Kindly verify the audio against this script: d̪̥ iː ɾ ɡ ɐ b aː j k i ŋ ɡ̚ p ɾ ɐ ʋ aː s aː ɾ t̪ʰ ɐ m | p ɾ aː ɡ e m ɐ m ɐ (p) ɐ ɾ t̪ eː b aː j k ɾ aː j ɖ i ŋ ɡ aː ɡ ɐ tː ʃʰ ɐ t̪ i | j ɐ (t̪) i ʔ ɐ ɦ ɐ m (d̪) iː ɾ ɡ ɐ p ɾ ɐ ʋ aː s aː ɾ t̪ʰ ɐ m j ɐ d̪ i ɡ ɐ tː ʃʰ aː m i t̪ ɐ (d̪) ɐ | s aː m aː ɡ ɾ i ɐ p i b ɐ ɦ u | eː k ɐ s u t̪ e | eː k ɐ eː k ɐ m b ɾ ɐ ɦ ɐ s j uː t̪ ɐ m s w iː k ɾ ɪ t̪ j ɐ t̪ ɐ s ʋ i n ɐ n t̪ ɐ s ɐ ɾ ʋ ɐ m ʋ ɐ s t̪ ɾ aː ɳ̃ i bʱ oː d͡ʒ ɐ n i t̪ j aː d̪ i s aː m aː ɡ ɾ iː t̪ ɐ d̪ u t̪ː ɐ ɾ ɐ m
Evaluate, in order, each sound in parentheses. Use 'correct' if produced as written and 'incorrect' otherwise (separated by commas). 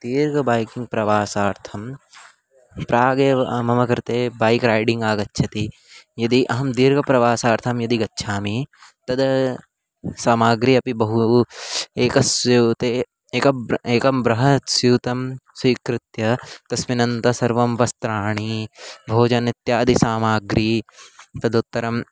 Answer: incorrect, incorrect, correct, correct